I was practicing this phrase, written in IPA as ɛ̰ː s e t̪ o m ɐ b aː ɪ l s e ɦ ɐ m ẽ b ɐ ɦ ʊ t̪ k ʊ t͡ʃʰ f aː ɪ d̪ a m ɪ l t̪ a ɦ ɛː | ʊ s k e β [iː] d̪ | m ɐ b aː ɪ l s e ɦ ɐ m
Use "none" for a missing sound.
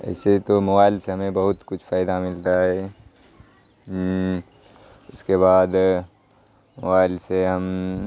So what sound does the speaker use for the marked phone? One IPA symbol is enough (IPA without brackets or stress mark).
aː